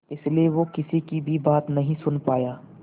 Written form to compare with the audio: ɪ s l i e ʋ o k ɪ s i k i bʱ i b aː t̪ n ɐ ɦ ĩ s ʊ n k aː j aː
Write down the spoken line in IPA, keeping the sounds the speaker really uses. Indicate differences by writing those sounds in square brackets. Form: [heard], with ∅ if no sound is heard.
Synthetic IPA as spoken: ɪ s l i e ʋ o k ɪ s i k i bʱ i b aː t̪ n ɐ ɦ ĩ s ʊ n [p] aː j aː